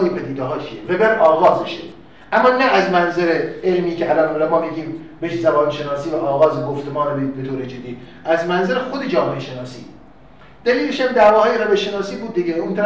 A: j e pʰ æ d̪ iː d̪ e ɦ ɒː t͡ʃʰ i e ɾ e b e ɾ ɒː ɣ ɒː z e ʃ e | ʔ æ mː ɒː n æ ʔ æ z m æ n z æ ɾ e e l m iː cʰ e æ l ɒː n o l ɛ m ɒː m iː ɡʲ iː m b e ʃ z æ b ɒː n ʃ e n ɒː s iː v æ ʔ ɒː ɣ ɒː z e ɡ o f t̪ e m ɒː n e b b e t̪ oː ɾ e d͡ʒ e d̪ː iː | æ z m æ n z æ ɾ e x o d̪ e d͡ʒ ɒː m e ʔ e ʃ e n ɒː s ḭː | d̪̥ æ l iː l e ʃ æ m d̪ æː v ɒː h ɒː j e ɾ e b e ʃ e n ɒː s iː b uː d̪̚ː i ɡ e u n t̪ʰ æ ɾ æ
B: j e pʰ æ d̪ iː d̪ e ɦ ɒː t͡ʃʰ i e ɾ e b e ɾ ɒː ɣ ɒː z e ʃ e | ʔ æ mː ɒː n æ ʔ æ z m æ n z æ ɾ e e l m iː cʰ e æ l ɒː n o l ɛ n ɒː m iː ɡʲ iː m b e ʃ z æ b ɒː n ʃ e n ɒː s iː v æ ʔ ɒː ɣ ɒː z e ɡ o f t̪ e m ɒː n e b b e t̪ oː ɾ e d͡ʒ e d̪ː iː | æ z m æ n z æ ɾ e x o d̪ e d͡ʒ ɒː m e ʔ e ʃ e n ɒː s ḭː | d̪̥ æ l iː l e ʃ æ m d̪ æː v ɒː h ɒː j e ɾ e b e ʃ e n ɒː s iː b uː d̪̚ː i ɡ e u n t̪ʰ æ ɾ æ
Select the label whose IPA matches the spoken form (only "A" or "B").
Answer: A